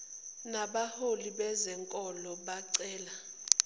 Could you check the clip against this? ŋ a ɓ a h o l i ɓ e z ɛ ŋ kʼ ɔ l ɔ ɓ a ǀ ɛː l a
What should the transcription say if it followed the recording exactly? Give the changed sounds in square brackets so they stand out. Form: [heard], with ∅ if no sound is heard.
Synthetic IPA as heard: [n] a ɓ a h o l i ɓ [ɛ] z ɛ ŋ kʼ ɔ l ɔ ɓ a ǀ ɛː l a